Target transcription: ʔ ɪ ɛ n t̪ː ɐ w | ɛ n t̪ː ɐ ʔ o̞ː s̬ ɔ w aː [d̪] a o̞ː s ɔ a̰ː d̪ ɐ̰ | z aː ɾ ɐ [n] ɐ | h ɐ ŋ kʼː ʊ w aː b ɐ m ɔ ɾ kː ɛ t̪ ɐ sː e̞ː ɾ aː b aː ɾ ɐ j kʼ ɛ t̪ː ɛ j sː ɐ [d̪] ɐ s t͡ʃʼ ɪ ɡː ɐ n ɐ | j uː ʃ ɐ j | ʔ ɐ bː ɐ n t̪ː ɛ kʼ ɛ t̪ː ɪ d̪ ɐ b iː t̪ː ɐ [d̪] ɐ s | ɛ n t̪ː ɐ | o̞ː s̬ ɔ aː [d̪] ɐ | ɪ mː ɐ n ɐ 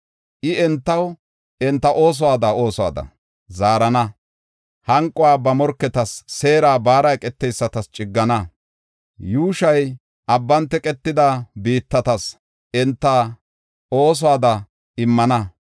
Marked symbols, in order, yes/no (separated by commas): yes, yes, no, no, yes